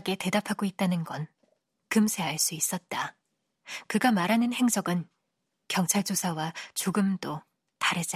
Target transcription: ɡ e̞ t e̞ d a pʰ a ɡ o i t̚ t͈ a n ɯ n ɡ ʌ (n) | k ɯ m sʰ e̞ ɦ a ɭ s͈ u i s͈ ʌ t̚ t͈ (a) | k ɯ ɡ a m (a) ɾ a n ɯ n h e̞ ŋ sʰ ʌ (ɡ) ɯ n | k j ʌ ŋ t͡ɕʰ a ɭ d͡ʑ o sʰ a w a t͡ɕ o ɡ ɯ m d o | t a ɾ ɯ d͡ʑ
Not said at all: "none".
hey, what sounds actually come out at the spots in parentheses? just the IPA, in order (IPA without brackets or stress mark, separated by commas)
n, a, a, ɡ